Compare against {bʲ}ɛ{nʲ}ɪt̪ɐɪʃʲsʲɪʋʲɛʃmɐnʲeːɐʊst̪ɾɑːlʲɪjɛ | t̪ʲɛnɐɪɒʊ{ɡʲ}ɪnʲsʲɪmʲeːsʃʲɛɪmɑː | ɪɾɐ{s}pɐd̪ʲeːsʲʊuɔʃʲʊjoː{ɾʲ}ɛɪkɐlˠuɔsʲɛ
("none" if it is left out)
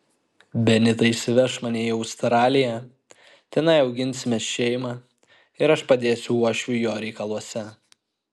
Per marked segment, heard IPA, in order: bʲ, nʲ, ɡʲ, ʃ, ɾʲ

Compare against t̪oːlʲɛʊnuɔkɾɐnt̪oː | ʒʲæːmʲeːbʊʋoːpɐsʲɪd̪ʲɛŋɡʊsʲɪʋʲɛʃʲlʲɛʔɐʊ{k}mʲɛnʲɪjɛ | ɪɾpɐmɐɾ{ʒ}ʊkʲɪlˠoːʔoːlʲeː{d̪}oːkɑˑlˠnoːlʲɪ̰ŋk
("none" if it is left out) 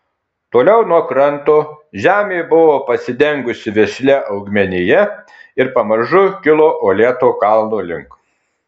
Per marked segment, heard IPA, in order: ɡ, ʒ, t̪

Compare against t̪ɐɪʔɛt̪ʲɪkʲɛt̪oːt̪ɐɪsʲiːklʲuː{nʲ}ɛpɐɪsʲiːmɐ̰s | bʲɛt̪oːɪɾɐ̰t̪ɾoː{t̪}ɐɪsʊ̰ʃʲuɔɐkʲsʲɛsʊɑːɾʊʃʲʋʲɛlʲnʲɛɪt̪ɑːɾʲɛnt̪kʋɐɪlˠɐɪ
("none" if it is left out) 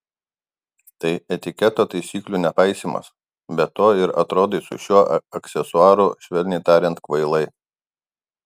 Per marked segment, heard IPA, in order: nʲ, d̪

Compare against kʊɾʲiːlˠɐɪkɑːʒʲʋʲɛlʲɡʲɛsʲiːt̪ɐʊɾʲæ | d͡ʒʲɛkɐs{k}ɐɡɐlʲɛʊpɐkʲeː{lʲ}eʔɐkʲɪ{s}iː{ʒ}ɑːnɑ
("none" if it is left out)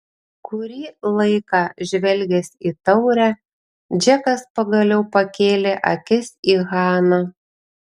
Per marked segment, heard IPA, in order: p, lʲ, s, ɣ

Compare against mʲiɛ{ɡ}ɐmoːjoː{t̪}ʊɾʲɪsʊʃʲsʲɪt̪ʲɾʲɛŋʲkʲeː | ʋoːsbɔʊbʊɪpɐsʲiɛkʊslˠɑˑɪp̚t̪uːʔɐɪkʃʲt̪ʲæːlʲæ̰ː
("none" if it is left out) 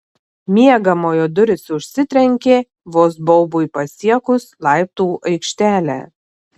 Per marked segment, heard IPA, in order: ɡ, d̪

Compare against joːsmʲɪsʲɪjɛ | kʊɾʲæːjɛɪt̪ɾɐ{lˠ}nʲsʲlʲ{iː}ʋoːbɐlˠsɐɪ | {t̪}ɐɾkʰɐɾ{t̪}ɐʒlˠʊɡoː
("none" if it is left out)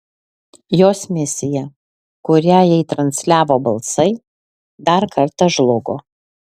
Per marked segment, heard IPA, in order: none, æː, d̪, t̪

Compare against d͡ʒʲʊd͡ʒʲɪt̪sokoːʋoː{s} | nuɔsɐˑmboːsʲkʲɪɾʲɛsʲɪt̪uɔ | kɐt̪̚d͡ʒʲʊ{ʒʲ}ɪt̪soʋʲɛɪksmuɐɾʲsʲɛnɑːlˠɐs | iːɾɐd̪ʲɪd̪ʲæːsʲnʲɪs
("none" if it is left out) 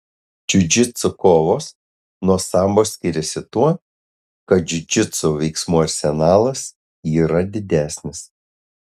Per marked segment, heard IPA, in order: s, d͡ʒʲ

